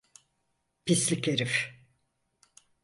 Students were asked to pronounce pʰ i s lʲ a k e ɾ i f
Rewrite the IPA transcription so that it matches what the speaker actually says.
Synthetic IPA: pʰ i s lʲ i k e ɾ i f